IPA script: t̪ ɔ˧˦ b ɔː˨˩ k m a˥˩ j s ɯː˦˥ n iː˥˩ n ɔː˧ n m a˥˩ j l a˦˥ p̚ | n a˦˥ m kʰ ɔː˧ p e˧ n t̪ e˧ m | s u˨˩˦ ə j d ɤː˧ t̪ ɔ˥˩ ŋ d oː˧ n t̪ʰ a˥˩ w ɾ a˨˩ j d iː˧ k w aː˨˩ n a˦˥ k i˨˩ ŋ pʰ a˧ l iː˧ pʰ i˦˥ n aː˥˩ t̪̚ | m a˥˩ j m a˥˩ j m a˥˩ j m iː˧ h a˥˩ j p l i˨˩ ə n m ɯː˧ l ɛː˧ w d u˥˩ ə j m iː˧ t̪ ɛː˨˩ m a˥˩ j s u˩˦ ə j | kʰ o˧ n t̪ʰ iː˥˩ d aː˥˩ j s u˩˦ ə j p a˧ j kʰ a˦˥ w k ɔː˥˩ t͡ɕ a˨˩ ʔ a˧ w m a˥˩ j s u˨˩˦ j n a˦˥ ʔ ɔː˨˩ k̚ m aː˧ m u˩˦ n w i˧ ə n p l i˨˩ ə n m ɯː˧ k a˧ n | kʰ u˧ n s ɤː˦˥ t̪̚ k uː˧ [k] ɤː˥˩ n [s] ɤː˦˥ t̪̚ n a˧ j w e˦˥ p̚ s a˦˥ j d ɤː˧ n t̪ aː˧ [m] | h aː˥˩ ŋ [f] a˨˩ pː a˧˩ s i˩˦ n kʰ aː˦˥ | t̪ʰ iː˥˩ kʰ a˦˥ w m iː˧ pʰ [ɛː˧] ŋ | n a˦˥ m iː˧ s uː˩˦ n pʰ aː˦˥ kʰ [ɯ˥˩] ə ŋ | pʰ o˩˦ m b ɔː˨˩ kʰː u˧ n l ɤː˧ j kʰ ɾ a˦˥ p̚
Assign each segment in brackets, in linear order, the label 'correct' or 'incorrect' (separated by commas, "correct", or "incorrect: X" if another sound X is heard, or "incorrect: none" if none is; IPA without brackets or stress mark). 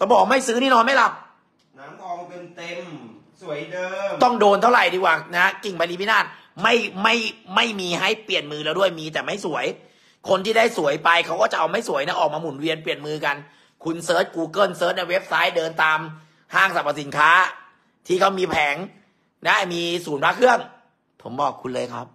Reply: correct, correct, correct, incorrect: s, incorrect: ɛː˩˦, correct